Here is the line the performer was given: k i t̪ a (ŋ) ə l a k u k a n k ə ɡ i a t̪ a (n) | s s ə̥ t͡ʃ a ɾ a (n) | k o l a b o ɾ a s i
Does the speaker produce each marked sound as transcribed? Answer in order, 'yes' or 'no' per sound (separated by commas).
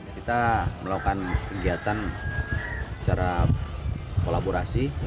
no, yes, no